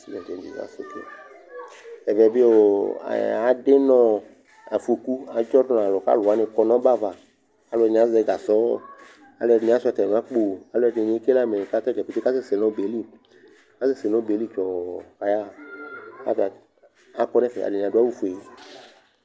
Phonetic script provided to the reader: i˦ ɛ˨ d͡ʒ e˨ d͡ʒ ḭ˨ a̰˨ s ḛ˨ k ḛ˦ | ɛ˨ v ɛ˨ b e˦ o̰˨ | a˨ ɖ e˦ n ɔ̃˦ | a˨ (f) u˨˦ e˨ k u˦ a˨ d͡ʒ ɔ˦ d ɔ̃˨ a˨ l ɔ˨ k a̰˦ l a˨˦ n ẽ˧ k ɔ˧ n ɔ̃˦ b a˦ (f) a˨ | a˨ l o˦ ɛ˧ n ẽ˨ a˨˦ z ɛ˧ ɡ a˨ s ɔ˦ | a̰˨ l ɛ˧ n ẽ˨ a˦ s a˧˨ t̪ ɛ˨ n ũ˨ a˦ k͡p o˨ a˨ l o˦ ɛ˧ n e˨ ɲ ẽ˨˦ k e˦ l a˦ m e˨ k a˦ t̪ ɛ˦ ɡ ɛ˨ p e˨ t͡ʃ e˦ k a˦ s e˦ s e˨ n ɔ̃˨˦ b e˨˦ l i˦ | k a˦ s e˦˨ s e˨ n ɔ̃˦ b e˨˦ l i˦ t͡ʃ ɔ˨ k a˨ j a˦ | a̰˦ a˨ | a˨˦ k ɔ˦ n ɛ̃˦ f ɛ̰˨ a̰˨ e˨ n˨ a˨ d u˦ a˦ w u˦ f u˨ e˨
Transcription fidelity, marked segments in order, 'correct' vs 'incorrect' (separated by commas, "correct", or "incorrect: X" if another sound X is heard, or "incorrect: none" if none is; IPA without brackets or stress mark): correct, incorrect: v